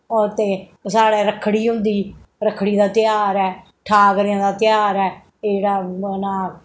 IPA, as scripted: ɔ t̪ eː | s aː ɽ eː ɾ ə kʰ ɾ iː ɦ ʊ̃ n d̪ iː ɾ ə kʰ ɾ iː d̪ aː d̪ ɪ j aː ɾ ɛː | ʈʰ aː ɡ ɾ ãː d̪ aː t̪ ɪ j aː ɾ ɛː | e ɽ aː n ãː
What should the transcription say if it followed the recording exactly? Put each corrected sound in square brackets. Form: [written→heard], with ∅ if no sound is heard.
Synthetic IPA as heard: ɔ t̪ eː | s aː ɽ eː ɾ ə kʰ [ɾ→ɽ] iː ɦ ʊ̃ n d̪ iː ɾ ə kʰ [ɾ→ɽ] iː d̪ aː [d̪→t̪] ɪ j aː ɾ ɛː | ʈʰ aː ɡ ɾ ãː d̪ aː t̪ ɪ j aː ɾ ɛː | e ɽ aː n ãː